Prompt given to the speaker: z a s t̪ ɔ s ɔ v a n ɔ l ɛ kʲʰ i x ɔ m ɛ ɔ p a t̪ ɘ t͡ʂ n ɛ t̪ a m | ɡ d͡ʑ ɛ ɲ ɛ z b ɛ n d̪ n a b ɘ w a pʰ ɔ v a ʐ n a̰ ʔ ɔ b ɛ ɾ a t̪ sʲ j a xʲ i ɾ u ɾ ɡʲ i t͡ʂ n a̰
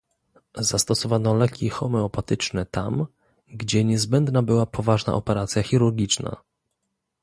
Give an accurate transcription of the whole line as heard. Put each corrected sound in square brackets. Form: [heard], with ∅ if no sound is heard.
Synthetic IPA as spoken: z a s t̪ ɔ s ɔ v a n ɔ l ɛ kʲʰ i x ɔ m ɛ ɔ p a t̪ ɘ t͡ʂ n ɛ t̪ a m | ɡ d͡ʑ ɛ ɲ ɛ z b ɛ n d̪ n a b ɘ w a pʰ ɔ v a ʐ n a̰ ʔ ɔ [p] ɛ ɾ a t̪ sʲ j a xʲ i ɾ u ɾ ɡʲ i t͡ʂ n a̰